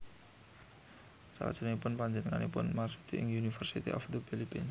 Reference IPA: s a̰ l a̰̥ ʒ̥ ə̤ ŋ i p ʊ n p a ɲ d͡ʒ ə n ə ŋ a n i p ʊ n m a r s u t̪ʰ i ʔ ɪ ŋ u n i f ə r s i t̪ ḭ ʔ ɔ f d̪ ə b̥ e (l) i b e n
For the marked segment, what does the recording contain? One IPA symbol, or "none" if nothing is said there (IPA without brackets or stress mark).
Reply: l